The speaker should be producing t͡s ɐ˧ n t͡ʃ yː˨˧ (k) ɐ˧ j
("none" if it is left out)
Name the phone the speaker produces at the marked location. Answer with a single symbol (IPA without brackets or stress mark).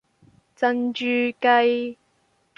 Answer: k